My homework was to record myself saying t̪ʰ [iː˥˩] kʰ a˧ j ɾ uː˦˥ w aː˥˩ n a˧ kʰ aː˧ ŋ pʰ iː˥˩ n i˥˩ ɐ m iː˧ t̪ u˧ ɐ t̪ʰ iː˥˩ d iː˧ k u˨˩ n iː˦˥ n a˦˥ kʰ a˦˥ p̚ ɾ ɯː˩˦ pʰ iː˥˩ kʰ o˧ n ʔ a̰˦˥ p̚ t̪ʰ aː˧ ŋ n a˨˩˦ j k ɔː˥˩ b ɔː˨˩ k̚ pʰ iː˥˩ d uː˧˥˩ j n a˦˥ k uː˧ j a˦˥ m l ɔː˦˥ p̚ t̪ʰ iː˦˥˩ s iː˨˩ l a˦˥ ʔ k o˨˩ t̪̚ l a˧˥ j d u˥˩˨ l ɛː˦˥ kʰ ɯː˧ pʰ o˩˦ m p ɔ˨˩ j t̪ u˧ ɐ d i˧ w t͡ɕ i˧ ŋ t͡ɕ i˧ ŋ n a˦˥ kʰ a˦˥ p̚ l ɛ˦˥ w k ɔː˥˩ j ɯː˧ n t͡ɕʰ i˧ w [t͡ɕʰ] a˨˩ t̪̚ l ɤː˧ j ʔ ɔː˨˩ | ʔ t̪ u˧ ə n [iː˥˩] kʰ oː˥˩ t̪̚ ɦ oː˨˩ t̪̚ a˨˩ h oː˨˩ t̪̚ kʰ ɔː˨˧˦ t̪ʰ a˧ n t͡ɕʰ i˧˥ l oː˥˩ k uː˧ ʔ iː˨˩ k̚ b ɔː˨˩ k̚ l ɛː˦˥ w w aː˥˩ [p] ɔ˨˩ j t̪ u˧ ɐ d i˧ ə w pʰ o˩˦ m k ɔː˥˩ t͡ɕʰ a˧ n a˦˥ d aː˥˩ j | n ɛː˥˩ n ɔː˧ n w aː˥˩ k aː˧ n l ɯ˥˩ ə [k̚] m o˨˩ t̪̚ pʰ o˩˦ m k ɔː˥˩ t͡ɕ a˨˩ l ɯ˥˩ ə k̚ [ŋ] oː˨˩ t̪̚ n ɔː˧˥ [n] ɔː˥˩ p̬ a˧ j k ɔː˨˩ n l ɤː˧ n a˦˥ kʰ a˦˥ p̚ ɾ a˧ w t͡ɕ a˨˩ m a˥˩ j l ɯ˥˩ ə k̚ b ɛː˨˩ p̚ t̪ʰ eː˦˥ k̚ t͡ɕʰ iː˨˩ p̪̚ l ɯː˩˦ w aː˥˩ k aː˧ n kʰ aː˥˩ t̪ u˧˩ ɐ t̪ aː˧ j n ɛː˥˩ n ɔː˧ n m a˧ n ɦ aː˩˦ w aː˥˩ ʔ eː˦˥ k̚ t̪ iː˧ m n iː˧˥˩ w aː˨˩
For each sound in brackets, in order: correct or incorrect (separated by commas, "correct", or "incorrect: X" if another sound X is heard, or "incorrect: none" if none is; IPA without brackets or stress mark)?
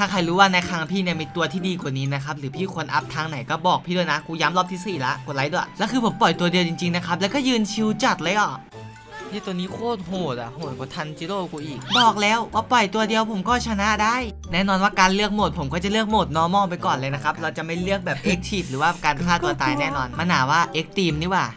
incorrect: aː˥˩, incorrect: t͡ɕ, incorrect: iː˦˥, correct, correct, incorrect: m, incorrect: m